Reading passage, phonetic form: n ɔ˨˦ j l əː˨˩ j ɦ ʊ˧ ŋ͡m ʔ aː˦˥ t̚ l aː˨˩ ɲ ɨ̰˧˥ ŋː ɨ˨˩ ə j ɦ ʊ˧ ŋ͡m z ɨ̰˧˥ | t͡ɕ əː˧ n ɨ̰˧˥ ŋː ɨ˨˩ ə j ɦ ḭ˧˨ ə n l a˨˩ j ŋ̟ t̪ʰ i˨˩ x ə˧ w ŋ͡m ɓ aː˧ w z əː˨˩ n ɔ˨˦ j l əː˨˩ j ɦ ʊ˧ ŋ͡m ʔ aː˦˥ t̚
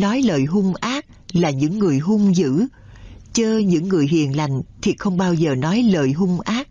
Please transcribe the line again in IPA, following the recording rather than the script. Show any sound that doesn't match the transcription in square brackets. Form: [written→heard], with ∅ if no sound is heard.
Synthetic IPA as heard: n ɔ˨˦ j l əː˨˩ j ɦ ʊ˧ ŋ͡m ʔ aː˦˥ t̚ l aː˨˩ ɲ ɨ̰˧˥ ŋː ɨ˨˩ ə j ɦ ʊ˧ ŋ͡m z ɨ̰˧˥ | t͡ɕ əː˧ [n→ɲ] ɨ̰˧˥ ŋː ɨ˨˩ ə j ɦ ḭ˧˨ ə n l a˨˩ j ŋ̟ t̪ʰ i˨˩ x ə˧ w ŋ͡m ɓ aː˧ w z əː˨˩ n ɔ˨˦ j l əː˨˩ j ɦ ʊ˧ ŋ͡m ʔ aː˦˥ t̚